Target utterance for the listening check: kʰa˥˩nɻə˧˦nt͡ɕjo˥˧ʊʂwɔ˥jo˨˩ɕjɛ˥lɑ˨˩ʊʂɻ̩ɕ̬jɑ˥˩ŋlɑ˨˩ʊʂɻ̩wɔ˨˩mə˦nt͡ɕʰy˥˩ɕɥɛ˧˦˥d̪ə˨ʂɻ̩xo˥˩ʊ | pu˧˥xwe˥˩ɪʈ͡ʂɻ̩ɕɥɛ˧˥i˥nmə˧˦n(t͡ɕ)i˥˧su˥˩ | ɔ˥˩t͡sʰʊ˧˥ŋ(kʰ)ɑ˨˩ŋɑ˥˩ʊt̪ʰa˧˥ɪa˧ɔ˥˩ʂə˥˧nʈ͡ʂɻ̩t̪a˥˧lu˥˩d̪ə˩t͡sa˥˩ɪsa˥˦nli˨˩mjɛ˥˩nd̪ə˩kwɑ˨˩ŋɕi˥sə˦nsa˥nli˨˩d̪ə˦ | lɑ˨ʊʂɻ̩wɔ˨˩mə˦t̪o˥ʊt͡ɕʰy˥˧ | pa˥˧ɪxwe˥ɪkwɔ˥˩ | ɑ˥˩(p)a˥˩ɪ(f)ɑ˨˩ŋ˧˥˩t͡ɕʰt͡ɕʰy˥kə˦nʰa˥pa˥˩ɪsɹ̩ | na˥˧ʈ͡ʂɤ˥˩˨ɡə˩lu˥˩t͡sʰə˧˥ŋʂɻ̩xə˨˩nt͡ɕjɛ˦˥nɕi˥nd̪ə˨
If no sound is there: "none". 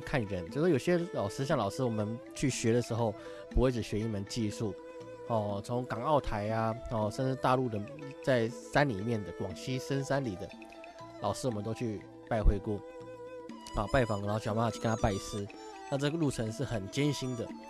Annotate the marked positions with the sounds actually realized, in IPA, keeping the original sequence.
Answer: t͡ɕ, k, p, f

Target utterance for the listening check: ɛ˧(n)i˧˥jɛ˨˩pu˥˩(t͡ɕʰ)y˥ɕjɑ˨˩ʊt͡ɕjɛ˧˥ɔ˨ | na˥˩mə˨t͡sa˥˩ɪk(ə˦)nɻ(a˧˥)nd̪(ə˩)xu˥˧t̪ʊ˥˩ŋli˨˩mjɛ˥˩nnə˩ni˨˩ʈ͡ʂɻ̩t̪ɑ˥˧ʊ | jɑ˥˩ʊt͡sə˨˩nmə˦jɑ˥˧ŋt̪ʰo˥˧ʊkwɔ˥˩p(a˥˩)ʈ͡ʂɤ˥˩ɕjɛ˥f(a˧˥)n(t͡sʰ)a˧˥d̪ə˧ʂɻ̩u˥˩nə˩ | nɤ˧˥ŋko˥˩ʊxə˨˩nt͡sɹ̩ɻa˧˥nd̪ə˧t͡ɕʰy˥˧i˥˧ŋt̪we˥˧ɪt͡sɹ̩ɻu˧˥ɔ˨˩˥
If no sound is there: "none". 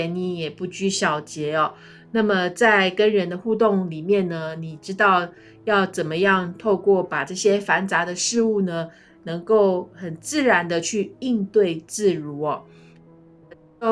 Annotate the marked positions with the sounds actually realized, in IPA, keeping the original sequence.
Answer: n, t͡ɕ, ə˦, ə˧˥, ə˧, a˨˩, a˧˥, t͡s

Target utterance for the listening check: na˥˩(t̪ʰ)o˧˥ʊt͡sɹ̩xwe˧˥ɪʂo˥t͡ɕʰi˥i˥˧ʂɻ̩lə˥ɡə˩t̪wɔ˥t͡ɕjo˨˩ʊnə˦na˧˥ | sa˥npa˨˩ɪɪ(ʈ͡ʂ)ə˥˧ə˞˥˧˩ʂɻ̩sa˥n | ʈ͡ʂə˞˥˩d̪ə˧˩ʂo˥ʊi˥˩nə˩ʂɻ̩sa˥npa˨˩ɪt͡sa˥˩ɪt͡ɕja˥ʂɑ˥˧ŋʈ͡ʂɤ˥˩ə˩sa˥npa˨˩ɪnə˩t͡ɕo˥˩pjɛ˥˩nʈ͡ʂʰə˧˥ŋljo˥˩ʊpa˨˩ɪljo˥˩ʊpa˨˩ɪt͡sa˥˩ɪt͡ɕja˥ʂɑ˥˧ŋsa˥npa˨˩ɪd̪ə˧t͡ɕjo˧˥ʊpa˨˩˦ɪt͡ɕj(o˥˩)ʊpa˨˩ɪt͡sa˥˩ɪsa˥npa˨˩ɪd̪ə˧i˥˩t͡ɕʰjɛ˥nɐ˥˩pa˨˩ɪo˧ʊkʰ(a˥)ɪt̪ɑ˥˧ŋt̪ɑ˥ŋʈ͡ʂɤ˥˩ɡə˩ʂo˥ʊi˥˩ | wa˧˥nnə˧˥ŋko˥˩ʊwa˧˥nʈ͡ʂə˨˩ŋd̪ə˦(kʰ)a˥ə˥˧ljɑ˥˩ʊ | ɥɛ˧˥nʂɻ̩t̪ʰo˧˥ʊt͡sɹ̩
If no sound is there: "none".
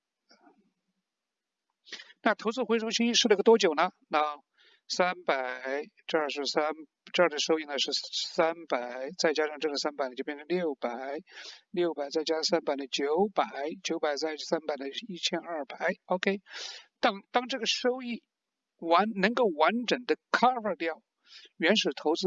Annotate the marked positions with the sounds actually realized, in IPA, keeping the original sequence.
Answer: t̪ʰ, ʈ͡ʂ, o˧˥, e˥, kʰ

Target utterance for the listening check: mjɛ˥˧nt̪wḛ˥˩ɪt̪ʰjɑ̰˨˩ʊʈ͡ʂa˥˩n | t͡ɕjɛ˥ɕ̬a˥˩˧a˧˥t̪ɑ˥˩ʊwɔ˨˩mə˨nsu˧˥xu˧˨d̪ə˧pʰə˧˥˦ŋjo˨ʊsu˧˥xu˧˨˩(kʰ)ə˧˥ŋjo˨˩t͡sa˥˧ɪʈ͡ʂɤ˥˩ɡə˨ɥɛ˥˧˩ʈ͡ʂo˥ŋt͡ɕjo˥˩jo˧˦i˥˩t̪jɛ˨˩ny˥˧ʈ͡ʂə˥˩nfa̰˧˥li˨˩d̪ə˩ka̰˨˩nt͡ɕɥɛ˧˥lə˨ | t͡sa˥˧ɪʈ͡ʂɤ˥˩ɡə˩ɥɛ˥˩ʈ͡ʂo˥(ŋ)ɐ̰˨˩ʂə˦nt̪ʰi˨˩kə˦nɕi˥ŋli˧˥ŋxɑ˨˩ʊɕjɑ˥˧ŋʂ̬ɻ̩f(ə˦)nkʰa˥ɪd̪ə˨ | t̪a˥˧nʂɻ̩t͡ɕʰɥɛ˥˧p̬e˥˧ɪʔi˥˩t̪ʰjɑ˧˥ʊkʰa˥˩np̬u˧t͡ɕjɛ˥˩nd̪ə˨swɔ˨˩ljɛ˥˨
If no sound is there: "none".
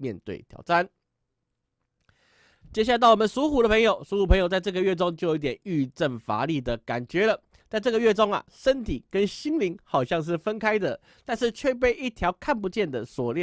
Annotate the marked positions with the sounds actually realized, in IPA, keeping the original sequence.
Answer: pʰ, ŋ, ə˦

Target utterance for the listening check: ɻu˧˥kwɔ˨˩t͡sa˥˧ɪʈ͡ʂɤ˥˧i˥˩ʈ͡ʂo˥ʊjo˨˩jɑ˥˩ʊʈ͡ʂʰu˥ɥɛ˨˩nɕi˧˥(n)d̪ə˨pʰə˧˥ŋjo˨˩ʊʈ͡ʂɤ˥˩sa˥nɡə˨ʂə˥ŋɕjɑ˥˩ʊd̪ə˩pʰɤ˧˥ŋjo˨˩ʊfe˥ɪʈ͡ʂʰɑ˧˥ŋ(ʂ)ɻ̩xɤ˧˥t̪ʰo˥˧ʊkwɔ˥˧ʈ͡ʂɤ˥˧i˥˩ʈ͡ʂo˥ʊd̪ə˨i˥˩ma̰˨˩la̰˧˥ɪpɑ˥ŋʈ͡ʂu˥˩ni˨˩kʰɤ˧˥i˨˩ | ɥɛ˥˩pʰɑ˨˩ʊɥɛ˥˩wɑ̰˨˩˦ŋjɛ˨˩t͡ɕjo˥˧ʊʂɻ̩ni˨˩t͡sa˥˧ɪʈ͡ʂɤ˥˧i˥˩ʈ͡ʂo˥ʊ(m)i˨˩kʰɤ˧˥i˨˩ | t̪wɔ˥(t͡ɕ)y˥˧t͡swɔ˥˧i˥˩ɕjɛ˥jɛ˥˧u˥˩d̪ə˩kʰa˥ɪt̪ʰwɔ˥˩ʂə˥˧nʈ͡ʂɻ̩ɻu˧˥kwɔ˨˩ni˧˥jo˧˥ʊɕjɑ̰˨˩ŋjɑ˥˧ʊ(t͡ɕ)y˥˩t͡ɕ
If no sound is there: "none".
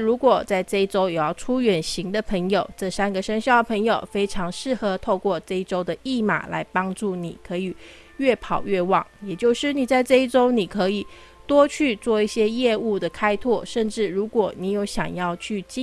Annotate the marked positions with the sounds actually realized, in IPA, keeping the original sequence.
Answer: ŋ, ʂ, n, t͡ɕʰ, t͡ɕʰ

